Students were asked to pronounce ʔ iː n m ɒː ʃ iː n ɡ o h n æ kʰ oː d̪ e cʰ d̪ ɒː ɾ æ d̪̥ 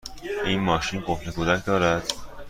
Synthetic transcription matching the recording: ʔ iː n m ɒː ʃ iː n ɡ o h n e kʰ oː d̪ æ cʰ d̪ ɒː ɾ æ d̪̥